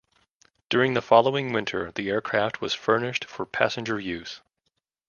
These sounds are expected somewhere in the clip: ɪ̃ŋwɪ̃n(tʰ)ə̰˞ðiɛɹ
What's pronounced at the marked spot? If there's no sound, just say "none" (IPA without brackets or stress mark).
tʰ